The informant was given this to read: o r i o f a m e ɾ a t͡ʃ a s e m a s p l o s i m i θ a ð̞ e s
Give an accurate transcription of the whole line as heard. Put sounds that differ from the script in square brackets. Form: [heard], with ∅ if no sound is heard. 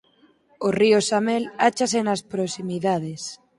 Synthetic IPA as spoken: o r i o [s] a m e [l] a t͡ʃ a s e [n] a s p [ɾ] o s i m i [ð] a ð̞ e s